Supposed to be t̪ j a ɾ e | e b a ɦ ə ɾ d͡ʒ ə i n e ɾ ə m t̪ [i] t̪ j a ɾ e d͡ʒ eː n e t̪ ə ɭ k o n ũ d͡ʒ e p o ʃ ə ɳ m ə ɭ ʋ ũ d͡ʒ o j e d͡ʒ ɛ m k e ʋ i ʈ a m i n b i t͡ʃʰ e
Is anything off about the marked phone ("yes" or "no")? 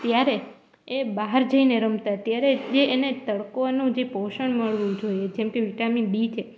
yes